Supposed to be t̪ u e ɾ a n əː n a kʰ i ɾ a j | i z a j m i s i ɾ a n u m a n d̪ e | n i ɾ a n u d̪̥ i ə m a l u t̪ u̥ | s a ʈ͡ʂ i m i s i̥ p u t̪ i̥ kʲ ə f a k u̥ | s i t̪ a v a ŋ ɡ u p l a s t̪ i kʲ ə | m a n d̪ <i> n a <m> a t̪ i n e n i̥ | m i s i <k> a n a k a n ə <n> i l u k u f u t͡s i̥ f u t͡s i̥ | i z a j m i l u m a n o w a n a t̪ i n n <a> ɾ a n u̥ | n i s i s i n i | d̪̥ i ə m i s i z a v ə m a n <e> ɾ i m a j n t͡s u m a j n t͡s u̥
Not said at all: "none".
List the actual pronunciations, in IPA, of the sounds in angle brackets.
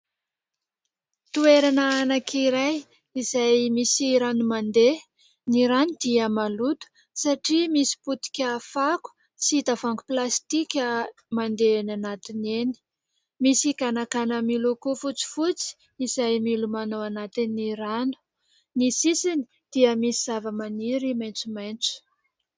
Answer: e, n, k, m, i, i

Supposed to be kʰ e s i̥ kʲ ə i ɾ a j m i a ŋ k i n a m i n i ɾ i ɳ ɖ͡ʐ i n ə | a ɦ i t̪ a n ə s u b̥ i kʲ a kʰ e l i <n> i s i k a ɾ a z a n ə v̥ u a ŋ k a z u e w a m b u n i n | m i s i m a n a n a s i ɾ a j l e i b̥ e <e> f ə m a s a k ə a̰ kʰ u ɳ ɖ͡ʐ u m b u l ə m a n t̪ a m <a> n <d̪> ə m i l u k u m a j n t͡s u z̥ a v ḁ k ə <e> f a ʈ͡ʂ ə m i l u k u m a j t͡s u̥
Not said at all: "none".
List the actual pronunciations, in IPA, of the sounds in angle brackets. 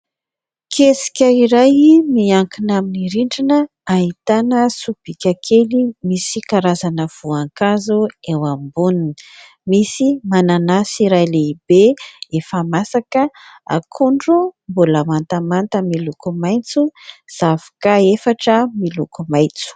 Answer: m, e, a, t̪, e

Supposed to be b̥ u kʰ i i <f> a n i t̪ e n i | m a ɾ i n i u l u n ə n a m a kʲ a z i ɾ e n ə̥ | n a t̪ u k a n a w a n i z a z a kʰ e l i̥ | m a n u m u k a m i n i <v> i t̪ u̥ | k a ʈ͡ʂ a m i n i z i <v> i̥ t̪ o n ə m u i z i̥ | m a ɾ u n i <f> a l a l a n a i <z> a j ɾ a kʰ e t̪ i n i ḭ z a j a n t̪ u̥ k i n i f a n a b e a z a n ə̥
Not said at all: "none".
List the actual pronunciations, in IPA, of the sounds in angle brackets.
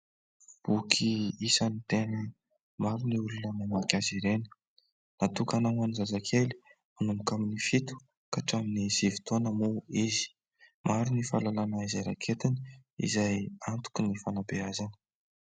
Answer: s, f, v, f, z

